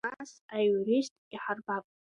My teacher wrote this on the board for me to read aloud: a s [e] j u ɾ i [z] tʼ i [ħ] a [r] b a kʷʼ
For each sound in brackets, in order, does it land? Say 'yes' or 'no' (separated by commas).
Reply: no, no, yes, yes